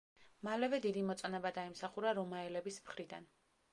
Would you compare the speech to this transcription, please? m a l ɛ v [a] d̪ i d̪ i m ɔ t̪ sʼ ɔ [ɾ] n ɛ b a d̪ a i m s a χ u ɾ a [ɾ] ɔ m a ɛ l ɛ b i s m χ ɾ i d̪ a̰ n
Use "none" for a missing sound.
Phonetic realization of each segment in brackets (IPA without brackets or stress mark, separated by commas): ɛ, none, ɾ